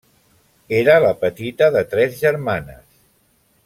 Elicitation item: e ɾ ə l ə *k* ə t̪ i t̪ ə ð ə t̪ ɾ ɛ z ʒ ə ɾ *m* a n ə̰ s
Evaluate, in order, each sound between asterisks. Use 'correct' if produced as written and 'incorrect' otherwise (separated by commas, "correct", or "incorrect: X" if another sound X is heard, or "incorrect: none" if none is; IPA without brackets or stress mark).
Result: incorrect: p, correct